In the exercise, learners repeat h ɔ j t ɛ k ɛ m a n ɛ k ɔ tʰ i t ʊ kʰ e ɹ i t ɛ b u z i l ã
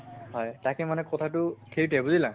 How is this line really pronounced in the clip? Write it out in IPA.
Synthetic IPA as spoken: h ɔ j t a k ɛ m a n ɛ k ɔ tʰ a t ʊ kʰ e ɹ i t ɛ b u z i l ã